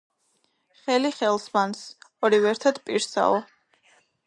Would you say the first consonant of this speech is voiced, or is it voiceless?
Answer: voiceless